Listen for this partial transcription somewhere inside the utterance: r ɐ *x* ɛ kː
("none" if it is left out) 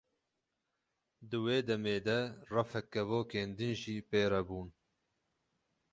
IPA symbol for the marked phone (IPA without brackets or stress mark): f